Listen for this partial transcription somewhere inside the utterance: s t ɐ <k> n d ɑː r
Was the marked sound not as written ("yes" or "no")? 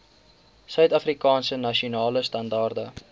yes